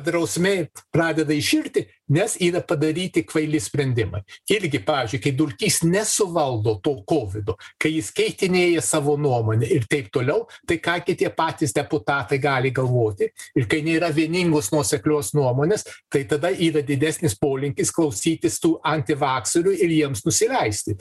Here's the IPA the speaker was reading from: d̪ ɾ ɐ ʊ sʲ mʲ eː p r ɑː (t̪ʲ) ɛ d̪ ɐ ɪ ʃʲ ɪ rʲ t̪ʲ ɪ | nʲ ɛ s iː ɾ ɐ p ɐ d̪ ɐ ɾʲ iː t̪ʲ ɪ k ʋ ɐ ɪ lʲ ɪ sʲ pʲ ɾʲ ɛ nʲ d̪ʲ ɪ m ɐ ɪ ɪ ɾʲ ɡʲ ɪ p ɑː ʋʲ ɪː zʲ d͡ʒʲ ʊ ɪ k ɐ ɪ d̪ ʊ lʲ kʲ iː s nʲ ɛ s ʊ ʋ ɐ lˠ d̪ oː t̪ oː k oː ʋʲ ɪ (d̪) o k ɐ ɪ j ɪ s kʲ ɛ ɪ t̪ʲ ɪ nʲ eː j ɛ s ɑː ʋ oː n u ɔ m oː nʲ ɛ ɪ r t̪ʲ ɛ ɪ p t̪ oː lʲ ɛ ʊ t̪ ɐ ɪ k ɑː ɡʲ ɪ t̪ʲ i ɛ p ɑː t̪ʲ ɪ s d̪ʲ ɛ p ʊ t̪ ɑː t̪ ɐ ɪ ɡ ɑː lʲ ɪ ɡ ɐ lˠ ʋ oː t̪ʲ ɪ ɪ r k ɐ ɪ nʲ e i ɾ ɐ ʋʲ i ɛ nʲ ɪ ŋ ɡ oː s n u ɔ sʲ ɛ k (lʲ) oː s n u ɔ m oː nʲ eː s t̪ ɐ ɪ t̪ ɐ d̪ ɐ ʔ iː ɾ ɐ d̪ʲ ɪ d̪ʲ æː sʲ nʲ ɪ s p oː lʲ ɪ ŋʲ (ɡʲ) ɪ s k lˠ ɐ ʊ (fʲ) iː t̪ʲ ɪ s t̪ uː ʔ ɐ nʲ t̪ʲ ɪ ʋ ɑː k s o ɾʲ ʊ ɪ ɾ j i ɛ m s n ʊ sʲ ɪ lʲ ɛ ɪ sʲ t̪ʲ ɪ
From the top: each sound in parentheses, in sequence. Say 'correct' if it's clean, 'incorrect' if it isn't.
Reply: incorrect, correct, correct, incorrect, incorrect

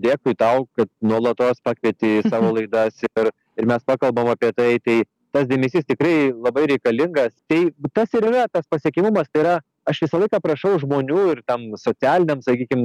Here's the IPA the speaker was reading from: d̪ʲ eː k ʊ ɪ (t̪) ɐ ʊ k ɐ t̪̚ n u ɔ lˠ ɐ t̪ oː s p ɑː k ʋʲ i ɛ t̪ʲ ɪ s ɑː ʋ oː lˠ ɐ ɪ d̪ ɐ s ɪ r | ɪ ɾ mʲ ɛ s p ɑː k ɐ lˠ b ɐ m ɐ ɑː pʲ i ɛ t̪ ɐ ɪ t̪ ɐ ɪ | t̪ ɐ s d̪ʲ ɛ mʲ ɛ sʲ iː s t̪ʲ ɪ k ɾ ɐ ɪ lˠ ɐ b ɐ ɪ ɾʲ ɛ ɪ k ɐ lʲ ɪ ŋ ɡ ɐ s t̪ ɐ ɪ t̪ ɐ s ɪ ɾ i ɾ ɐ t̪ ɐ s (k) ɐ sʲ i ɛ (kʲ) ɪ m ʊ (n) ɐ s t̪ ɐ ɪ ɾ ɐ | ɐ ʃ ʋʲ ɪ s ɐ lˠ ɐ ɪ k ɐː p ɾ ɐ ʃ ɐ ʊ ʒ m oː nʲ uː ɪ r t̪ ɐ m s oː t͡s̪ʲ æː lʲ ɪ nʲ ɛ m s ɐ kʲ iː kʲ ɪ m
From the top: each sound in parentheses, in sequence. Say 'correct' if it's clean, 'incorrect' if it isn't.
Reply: correct, incorrect, correct, incorrect

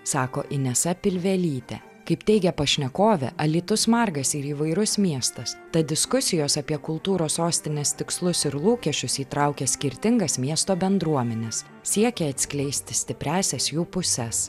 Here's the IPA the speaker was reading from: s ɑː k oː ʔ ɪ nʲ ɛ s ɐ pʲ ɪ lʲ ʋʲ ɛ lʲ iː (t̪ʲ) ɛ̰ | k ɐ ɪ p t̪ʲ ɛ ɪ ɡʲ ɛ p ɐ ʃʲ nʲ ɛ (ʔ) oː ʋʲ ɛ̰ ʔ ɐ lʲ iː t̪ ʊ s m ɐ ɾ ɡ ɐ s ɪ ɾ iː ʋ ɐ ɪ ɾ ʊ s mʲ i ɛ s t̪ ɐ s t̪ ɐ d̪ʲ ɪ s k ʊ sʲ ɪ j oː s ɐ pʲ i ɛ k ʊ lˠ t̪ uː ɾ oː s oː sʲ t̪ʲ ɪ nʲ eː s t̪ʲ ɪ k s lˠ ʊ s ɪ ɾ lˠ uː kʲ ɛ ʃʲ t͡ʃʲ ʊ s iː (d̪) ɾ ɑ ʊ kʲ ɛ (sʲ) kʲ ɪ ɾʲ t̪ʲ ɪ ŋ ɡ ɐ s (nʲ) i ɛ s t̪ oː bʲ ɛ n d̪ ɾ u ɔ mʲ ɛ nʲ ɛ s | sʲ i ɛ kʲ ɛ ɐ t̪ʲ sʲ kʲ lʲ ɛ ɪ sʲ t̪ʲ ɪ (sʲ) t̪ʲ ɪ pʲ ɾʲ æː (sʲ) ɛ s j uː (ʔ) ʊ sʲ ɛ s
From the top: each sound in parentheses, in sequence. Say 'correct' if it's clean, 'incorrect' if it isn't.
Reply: correct, incorrect, incorrect, correct, incorrect, correct, correct, incorrect

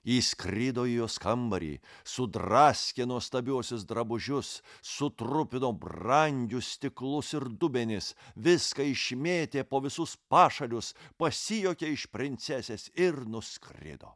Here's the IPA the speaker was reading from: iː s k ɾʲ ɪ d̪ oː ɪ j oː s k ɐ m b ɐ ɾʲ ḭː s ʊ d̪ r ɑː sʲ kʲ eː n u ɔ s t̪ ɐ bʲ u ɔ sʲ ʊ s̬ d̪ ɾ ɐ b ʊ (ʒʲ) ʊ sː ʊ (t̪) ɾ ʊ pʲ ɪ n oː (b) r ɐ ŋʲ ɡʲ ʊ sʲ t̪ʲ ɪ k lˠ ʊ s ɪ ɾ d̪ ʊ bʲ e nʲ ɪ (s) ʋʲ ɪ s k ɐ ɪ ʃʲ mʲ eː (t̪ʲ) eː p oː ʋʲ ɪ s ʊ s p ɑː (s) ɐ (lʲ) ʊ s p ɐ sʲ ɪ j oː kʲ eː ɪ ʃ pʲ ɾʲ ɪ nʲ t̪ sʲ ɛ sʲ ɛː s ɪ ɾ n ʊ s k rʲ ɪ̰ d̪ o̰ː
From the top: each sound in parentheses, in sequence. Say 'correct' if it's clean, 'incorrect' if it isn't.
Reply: correct, correct, correct, correct, correct, incorrect, correct

